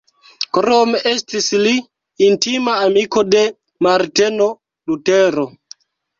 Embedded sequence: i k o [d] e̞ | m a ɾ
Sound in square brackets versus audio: correct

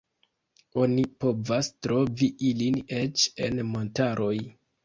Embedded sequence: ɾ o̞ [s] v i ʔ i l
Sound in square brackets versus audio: incorrect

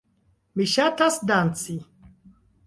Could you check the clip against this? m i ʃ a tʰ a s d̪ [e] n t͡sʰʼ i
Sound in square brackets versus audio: incorrect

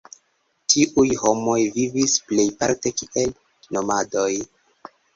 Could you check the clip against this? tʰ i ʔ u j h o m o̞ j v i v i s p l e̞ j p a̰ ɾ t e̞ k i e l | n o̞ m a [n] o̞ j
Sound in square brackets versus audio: incorrect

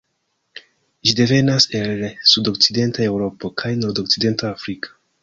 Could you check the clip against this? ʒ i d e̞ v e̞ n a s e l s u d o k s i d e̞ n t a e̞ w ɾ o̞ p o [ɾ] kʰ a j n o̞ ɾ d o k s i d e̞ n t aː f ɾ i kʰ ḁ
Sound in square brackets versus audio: incorrect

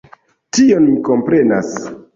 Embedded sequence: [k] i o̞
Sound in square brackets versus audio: incorrect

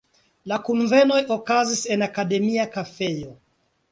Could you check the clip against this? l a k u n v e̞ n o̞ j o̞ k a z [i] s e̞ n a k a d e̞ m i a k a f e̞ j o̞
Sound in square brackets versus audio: correct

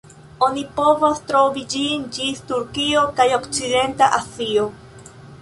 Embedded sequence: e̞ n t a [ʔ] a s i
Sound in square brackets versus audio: correct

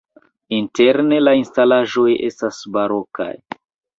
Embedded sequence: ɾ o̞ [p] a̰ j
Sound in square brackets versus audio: incorrect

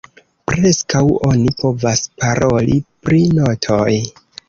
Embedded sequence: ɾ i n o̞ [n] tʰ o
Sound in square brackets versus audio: incorrect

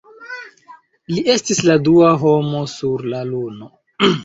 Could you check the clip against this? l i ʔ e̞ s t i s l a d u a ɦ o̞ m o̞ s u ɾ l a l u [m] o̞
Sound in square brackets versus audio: incorrect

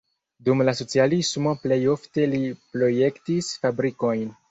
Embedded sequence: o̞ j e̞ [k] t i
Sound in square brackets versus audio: correct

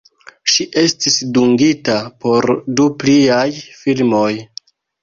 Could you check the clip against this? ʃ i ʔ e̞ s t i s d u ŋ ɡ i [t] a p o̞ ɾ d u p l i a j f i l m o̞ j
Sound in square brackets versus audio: correct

